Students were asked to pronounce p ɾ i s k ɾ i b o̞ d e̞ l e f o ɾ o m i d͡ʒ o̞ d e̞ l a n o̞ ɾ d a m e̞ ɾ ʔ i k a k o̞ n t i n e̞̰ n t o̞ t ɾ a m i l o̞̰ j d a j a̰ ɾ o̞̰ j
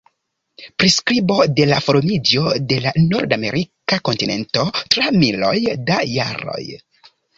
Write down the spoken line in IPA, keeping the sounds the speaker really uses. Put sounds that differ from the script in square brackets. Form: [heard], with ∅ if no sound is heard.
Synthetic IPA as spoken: p ɾ i s k ɾ i b o̞ d e̞ l [a] f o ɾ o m i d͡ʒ o̞ d e̞ l a n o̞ ɾ d a m e̞ ɾ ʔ i k a k o̞ n t i n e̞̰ n t o̞ t ɾ a m i l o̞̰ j d a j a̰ ɾ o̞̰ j